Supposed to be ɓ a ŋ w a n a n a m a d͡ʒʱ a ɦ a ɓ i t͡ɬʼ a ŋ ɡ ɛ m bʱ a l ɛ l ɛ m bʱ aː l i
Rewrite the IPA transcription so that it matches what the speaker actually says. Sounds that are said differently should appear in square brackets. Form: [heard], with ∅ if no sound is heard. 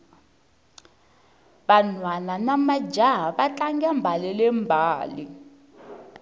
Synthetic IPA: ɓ a [n] w a n a n a m a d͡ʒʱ a ɦ a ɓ [a] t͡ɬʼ a ŋ ɡ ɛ m bʱ a l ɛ l ɛ m bʱ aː l i